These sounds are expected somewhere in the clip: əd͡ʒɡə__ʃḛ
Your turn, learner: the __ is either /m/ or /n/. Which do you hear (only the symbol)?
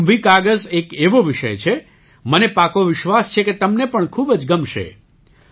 m